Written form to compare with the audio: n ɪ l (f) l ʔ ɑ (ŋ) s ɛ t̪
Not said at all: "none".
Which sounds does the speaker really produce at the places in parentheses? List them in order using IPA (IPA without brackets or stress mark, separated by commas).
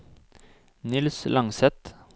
s, ŋ